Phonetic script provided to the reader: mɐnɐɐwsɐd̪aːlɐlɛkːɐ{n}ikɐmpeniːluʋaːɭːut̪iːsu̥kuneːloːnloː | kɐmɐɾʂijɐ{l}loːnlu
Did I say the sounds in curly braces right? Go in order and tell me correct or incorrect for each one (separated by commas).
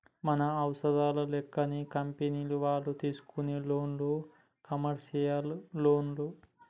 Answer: correct, correct